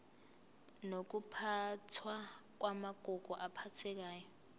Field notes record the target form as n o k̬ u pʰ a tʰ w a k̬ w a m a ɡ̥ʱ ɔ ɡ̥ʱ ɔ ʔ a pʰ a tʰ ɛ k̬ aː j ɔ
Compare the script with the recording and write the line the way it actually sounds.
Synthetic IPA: n o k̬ u pʰ a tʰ w a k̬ w a m a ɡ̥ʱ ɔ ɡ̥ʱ ɔ ʔ a pʰ a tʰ ɛ k̬ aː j ɔ